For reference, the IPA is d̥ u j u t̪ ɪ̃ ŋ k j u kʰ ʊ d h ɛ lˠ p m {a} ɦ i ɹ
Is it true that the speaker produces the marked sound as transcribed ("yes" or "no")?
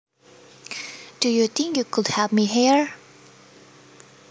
no